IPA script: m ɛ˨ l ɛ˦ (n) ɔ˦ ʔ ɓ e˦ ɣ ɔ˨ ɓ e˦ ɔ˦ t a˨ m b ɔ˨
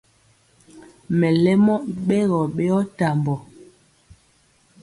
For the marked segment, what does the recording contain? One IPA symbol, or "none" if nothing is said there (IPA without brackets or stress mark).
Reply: m